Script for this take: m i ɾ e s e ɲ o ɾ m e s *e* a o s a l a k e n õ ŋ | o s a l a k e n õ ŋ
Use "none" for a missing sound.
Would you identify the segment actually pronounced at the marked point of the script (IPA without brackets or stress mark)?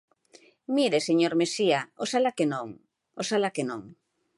i